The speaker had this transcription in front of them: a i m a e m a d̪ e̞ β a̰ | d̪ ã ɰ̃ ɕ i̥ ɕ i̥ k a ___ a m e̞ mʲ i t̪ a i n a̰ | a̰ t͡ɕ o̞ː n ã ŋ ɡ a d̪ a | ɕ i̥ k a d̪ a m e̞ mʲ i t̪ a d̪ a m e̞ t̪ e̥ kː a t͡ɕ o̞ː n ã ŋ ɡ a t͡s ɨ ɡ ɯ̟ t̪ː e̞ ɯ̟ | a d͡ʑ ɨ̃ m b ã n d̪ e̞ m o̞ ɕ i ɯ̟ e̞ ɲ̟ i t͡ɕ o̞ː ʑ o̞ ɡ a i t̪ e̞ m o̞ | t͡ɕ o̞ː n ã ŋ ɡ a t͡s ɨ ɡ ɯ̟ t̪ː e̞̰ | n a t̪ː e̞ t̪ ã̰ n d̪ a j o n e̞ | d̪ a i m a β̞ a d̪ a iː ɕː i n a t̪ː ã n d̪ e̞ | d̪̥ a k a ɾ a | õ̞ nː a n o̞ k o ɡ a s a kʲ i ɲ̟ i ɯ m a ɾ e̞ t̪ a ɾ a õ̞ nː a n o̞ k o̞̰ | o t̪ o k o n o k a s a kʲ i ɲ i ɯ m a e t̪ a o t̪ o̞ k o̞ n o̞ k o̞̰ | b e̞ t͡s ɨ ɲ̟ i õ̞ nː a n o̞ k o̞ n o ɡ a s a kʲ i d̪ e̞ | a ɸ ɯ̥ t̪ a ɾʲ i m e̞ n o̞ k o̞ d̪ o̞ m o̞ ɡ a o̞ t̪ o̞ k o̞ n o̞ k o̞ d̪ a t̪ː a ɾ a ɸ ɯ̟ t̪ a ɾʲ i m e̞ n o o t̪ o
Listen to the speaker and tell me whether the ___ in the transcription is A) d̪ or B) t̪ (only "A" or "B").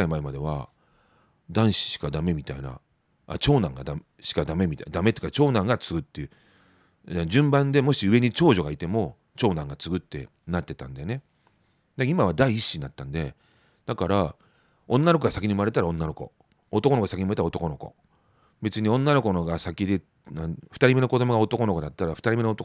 A